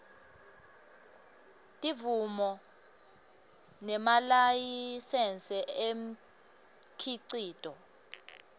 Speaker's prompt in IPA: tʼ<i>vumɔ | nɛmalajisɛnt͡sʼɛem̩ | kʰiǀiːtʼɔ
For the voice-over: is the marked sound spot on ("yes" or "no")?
yes